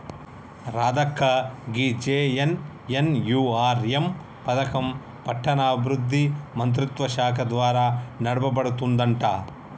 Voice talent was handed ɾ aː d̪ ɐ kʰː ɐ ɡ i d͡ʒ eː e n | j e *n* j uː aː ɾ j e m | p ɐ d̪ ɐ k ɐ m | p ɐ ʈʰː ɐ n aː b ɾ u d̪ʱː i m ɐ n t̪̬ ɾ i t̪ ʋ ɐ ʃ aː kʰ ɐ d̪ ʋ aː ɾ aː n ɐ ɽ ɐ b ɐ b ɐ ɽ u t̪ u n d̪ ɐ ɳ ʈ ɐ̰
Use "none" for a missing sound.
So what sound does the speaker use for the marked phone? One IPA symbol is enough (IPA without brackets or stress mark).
n